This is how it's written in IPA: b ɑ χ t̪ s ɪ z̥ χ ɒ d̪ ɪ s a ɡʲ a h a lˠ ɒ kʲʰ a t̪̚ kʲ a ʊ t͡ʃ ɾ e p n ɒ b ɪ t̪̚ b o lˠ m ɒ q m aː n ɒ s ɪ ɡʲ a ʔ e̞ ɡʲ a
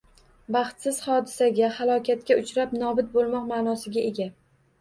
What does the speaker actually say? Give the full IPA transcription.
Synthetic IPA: b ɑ χ t̪ s ɪ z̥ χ ɒ d̪ ɪ s a ɡʲ a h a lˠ ɒ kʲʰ a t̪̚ kʲ a ʊ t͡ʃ ɾ a p n ɒ b ɪ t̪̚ b o lˠ m ɒ q m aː n ɒ s ɪ ɡʲ a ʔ e̞ ɡʲ a